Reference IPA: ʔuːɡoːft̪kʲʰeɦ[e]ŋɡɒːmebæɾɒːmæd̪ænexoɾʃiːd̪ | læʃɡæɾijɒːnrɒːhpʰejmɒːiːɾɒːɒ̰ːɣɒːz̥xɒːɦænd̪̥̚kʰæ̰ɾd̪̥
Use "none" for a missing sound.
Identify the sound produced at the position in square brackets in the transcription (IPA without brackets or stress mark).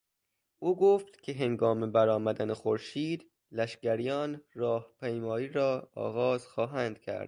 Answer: e